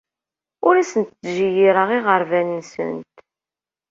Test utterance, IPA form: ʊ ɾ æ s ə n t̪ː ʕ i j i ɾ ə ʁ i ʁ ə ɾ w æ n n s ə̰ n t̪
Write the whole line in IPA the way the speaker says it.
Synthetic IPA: ʊ ɾ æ s ə n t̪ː ʒ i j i ɾ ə ʁ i ʁ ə ɾ v æ n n s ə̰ n t̪